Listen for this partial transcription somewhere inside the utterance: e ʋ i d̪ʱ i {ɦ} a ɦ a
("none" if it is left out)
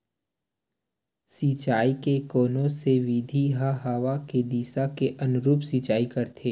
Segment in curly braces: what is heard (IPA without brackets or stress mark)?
ɦ